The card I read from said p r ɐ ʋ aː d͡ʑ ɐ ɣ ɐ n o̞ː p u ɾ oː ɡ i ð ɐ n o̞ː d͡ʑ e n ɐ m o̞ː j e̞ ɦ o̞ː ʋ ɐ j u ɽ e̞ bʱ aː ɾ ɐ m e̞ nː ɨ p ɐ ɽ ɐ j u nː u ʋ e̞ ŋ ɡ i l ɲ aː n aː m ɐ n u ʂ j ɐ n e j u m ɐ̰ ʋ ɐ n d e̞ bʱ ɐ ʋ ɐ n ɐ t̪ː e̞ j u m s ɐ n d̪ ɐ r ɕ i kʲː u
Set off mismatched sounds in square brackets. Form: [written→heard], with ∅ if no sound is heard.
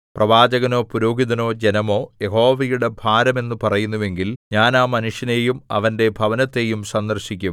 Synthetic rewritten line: p r ɐ ʋ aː d͡ʑ ɐ ɣ ɐ n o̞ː p u ɾ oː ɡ i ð ɐ n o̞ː d͡ʑ e n ɐ m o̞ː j e̞ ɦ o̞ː ʋ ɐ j u ɽ e̞ bʱ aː ɾ ɐ m e̞ nː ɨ p ɐ [ɽ→r] ɐ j u nː u ʋ e̞ ŋ ɡ i l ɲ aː n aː m ɐ n u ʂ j ɐ n e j u m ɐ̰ ʋ ɐ n d e̞ bʱ ɐ ʋ ɐ n ɐ t̪ː e̞ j u m s ɐ n d̪ ɐ r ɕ i kʲː u